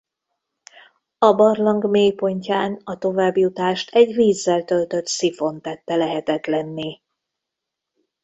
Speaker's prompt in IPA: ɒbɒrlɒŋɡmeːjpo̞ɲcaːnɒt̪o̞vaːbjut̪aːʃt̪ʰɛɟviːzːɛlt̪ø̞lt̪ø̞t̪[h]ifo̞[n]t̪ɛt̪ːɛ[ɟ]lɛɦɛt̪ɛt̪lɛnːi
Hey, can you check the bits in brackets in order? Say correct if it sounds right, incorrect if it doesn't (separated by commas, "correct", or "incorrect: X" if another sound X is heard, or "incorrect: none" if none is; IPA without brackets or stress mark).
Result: incorrect: s, correct, incorrect: none